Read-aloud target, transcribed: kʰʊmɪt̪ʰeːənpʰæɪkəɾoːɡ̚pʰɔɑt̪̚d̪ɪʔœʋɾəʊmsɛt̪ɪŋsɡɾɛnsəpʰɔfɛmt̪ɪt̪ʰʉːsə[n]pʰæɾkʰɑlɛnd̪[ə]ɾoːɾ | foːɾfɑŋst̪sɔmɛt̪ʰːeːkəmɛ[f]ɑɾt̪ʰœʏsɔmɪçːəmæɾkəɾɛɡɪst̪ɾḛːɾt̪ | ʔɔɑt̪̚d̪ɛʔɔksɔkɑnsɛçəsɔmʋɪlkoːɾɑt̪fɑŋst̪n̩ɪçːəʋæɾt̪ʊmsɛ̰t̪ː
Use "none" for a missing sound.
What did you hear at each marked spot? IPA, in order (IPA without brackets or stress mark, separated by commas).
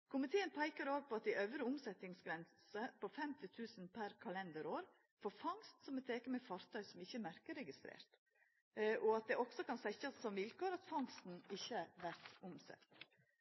n, ə, f